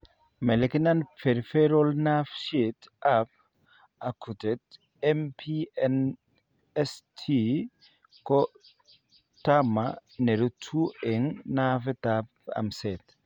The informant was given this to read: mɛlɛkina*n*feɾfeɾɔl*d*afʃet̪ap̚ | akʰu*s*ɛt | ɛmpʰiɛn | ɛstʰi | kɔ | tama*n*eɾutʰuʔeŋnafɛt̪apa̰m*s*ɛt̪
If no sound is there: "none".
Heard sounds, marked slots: n, n, t, n, s

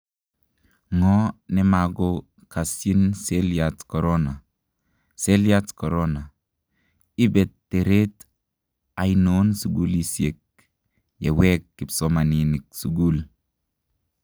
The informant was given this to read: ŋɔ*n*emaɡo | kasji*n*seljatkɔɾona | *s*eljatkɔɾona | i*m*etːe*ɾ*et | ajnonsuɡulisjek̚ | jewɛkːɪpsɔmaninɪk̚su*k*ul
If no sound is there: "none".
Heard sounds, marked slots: n, n, s, b, ɾ, ɡ

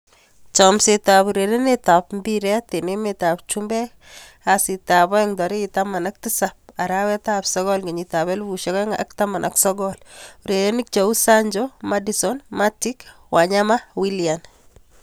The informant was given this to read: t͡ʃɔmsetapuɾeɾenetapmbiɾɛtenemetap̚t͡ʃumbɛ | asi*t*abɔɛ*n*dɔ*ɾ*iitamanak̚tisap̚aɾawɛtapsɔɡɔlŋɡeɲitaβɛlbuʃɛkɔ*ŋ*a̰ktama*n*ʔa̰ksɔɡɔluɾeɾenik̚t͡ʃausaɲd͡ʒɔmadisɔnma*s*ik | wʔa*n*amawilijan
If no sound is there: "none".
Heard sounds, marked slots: t, ŋ, ɾ, ŋ, n, t, ɲ

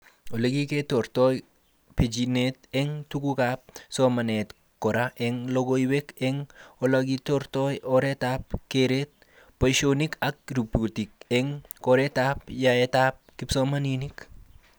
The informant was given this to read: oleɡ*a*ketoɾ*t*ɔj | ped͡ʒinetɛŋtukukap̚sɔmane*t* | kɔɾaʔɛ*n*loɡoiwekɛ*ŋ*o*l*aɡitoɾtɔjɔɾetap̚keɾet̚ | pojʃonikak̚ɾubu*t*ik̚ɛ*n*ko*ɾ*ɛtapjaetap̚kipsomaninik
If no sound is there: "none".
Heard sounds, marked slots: i, t, t, ŋ, ŋ, l, t, ŋ, ɾ

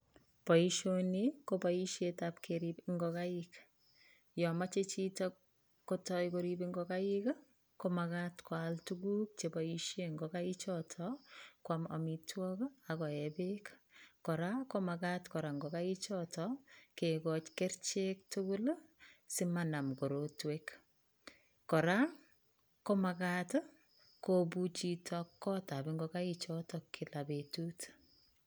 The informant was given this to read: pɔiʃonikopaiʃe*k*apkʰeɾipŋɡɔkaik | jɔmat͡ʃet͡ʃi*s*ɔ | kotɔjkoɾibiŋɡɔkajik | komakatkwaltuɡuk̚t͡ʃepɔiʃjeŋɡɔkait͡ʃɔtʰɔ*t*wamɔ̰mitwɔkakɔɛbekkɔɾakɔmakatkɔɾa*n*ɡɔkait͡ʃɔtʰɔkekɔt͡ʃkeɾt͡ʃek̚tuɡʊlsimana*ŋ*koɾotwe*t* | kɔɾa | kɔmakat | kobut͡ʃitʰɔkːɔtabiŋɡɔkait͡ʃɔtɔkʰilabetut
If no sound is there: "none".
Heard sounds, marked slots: t, t, k, ŋ, m, k

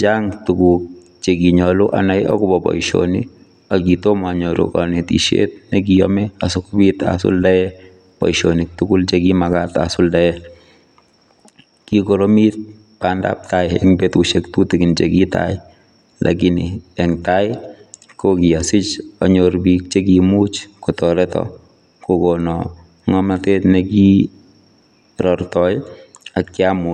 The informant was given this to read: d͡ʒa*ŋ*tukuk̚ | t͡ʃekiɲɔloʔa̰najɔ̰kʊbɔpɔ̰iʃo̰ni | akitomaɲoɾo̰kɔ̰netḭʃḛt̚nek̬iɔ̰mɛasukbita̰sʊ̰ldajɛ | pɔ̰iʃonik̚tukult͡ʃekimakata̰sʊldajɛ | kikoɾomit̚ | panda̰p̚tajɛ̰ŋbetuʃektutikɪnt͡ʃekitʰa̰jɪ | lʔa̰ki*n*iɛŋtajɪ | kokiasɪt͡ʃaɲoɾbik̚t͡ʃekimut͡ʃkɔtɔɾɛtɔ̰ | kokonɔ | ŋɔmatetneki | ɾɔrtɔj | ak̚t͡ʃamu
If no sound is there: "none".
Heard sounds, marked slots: ŋ, n

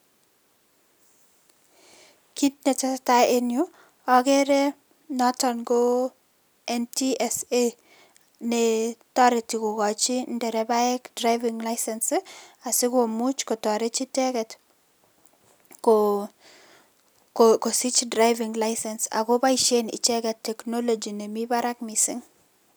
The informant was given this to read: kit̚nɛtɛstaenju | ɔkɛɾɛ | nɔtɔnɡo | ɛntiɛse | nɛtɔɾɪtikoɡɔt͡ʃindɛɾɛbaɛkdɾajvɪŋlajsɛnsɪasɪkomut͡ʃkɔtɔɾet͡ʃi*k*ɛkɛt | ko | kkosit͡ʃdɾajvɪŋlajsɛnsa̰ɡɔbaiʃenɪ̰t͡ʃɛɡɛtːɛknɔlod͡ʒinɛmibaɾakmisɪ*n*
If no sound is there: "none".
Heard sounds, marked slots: t, ŋ

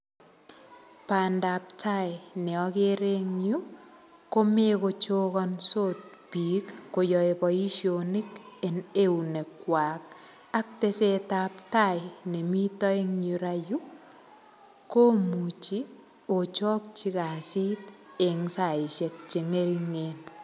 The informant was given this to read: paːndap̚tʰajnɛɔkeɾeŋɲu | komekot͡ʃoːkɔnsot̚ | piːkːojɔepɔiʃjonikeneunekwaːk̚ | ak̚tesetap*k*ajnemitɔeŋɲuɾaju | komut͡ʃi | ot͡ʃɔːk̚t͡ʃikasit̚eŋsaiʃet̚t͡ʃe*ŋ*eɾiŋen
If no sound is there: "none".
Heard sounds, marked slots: t, ŋ

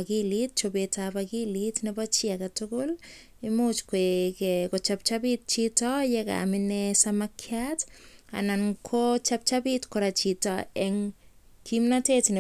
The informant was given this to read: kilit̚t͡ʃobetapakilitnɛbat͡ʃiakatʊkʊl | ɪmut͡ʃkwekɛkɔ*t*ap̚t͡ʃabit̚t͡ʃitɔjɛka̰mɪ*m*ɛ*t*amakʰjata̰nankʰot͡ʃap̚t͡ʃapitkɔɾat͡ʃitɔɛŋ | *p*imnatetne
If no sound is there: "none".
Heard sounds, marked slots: t͡ʃ, n, s, k

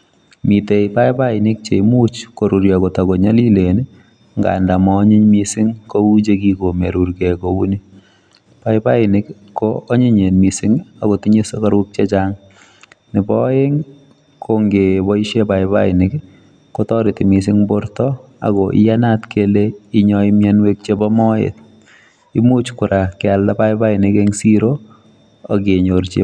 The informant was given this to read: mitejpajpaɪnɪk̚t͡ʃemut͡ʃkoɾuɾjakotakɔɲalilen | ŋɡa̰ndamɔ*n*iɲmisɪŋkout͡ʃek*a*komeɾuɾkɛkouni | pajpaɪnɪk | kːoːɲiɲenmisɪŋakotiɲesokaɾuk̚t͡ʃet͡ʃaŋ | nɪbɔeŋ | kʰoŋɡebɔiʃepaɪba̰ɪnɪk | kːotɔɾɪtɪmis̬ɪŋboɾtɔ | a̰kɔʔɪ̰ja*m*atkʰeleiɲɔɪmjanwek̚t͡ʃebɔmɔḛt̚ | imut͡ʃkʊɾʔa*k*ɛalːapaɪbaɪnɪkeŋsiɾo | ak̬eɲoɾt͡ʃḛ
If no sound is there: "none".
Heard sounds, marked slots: ɲ, i, n, k

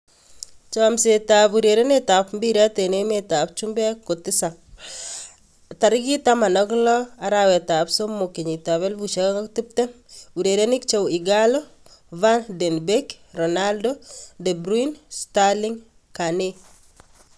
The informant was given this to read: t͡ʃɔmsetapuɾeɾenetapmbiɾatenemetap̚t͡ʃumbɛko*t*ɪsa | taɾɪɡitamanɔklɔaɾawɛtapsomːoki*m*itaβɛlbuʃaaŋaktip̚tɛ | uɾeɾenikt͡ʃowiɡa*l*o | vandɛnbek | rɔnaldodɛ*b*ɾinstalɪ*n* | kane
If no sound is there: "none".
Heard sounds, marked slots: t, ɲ, l, b, ŋ

